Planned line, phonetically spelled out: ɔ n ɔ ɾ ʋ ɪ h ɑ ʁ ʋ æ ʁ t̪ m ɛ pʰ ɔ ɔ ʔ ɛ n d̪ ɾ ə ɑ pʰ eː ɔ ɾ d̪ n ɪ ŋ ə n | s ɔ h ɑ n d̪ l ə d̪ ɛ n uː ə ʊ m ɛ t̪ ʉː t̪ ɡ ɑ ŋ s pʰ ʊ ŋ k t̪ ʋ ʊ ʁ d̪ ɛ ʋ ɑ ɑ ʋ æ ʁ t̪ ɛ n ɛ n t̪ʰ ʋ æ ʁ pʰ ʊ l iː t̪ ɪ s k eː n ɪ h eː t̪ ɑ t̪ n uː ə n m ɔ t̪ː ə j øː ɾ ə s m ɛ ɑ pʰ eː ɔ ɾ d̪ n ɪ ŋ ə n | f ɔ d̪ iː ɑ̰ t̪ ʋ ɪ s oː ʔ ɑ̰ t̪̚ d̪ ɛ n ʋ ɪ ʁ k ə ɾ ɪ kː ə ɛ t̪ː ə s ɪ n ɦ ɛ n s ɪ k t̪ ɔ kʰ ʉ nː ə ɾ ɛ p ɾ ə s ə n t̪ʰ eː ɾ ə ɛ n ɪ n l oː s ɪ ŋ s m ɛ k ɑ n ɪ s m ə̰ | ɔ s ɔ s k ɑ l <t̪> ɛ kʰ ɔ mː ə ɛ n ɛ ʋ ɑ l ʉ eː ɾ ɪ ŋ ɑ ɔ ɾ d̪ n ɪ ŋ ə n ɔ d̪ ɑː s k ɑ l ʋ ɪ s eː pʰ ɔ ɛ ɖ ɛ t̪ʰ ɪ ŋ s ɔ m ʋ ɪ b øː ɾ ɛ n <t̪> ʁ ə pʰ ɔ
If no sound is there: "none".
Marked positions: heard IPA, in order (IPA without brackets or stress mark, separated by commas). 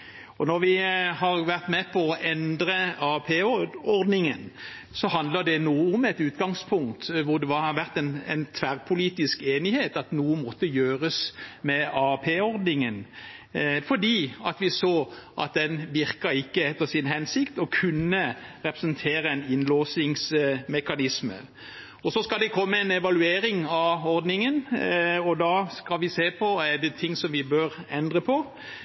d̪, d̪